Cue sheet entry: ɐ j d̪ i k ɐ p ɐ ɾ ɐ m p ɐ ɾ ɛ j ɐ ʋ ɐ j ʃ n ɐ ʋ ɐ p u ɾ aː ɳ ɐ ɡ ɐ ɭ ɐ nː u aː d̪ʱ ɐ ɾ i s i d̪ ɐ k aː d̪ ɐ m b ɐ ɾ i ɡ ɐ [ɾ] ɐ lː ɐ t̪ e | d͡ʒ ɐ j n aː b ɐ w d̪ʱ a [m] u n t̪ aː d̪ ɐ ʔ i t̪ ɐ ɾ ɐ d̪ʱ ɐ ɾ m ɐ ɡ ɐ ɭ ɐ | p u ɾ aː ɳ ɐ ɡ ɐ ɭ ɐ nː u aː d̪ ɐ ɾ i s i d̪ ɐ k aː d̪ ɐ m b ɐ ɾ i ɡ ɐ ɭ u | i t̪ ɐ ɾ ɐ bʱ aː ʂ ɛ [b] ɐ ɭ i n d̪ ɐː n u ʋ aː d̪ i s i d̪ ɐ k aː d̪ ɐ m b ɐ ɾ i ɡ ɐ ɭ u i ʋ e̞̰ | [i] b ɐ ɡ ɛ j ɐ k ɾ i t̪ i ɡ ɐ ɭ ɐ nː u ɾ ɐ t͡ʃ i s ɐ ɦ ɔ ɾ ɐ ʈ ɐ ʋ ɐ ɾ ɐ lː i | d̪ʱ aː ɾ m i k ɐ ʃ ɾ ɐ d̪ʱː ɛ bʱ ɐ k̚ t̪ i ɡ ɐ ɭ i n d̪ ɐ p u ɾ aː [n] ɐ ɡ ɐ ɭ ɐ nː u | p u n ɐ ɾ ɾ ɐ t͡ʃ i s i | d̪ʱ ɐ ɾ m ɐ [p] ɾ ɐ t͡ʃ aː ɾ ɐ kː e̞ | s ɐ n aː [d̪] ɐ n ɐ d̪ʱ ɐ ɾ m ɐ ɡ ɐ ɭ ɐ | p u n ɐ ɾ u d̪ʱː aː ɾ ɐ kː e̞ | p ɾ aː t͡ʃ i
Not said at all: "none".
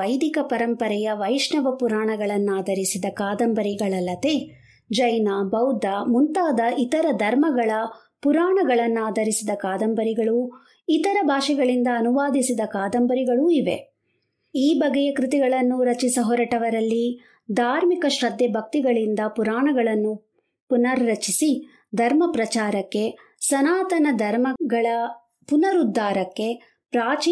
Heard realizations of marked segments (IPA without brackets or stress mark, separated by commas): ɭ, m, ɡ, iː, ɳ, p, t̪